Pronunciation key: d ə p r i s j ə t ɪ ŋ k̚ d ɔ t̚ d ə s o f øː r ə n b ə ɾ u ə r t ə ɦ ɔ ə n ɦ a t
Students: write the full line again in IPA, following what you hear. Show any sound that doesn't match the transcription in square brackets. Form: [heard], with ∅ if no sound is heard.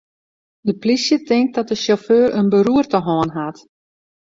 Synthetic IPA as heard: d ə p [l] i s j ə t ɪ ŋ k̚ d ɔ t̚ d ə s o f øː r ə n b ə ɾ u ə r t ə ɦ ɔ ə n ɦ a t